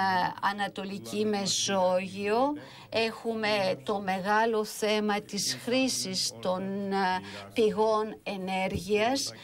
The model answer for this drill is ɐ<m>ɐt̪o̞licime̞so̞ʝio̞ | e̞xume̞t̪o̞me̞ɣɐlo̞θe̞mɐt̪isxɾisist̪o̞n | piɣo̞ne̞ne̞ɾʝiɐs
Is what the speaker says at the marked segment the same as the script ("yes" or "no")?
no